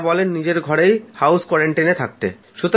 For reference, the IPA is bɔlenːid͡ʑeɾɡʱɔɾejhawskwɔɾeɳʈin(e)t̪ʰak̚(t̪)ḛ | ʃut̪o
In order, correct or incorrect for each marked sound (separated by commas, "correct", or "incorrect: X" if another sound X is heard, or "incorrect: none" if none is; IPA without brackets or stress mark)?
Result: correct, correct